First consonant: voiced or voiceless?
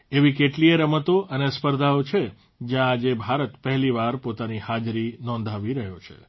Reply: voiced